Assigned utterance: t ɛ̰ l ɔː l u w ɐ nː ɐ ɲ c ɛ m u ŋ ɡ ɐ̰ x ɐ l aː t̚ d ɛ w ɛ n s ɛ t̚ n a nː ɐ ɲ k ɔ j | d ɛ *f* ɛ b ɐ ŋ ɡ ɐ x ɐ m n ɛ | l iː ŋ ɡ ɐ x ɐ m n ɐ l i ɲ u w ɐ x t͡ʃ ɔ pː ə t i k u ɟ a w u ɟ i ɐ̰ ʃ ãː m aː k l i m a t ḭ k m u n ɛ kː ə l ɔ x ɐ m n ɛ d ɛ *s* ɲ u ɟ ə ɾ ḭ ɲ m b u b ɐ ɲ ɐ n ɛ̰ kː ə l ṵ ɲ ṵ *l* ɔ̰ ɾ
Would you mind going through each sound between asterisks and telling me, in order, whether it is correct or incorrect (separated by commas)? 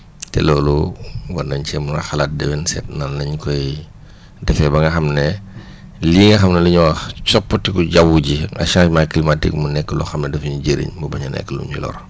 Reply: correct, incorrect, correct